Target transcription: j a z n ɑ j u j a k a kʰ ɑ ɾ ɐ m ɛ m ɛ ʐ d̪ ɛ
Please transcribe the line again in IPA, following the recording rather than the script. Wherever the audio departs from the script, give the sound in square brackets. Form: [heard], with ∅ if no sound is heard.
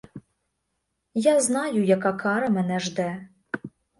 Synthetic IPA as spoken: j a z n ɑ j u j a k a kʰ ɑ ɾ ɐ m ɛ [n] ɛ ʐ d̪ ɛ